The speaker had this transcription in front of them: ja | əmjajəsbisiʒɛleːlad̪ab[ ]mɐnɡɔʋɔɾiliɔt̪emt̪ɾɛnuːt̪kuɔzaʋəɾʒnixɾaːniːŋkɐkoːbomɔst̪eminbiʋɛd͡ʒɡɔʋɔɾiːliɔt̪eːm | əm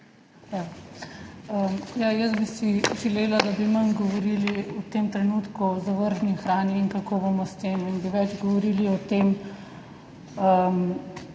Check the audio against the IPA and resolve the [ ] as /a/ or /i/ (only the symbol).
i